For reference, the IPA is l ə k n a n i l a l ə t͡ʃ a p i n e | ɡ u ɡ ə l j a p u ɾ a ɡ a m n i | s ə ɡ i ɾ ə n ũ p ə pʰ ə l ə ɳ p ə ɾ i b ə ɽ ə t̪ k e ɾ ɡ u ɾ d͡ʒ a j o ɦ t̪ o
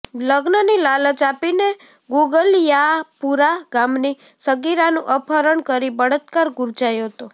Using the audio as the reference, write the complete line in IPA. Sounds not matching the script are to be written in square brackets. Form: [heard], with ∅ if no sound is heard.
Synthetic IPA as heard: l ə [ɡ] n [ə] n i l a l ə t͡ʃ a p i n e | ɡ u ɡ ə l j a p u ɾ a ɡ a m n i | s ə ɡ i ɾ [a] n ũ [ʔ] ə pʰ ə [ɾ] ə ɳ [k] ə ɾ i b ə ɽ ə t̪ k [a] ɾ ɡ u ɾ d͡ʒ a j o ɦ t̪ o